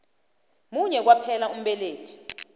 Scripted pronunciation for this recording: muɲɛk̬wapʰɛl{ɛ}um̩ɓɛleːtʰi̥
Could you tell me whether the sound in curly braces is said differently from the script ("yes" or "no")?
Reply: yes